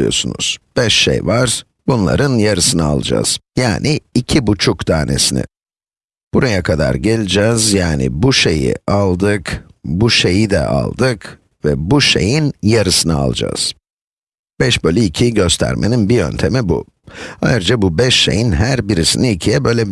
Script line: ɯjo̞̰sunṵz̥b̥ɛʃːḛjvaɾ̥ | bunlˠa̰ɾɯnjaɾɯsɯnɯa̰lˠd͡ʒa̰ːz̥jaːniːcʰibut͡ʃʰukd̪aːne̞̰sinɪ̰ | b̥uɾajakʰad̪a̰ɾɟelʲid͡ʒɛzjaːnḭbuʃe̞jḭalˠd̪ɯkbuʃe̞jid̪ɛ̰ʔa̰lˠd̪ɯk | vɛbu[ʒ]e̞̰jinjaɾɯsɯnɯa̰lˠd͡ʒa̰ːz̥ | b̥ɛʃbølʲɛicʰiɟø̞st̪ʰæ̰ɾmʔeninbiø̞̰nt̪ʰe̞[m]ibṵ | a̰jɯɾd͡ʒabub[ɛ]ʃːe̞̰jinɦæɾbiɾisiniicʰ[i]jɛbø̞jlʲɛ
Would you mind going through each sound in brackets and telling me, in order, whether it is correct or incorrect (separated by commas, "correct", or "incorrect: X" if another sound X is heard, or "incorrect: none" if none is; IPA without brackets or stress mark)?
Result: incorrect: ʃ, correct, correct, correct